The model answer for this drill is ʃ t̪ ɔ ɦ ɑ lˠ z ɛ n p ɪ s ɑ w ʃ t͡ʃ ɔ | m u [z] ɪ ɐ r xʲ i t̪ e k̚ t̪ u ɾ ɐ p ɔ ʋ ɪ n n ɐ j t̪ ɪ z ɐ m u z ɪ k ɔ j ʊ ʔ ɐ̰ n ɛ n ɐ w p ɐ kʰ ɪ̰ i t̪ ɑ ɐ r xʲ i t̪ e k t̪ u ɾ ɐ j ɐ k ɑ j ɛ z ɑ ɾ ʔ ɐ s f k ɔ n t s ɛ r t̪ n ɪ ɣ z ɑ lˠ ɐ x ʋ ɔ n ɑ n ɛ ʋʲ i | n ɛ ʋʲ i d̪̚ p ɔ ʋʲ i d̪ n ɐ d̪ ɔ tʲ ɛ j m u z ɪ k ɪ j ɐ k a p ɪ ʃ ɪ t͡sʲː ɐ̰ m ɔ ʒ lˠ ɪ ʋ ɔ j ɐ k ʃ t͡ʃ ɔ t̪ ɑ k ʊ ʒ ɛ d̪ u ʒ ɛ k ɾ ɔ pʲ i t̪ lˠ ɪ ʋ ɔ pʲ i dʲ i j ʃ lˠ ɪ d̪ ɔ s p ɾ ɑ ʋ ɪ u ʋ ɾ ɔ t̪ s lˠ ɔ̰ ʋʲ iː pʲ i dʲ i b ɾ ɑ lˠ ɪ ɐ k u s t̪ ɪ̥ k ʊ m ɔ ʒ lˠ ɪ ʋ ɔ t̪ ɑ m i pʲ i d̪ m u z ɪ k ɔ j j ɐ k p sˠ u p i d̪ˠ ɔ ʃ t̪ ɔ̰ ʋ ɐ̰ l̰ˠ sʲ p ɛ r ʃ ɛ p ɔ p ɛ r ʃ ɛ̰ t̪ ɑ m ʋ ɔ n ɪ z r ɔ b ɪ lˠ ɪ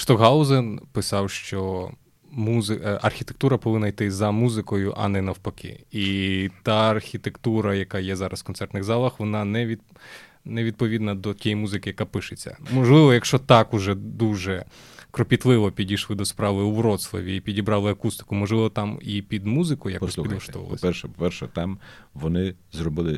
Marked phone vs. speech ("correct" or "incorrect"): correct